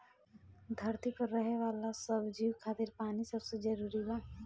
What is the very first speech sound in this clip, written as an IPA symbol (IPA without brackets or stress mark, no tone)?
d̪ʱ